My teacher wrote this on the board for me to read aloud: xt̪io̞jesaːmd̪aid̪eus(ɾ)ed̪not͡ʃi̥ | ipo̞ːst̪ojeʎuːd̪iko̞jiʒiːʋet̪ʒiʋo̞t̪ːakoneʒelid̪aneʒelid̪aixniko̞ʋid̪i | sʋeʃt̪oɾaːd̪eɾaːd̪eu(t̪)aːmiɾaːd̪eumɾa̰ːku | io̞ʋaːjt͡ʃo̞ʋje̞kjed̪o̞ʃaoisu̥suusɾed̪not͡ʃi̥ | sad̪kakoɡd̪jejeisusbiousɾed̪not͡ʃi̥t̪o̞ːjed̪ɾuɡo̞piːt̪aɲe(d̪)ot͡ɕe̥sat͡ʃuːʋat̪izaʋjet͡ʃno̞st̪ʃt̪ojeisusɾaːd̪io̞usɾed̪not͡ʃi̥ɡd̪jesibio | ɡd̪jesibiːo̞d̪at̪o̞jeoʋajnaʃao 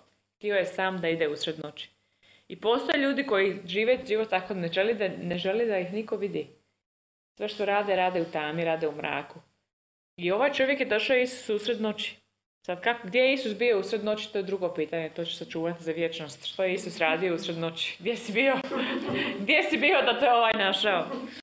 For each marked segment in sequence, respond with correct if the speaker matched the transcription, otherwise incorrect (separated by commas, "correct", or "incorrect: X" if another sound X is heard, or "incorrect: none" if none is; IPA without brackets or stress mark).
correct, correct, incorrect: t̪